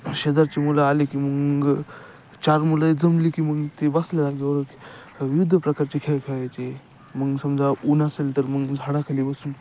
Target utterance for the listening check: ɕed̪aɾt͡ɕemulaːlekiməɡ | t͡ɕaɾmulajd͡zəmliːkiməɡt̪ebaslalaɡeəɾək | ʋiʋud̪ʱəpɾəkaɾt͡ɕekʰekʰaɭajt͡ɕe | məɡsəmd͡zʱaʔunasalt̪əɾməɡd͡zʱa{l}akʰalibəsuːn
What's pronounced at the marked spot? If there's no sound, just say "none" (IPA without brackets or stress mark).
ɽ